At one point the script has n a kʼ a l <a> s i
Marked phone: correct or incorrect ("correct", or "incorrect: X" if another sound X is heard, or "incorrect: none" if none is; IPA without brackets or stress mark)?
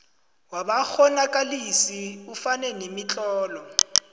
incorrect: i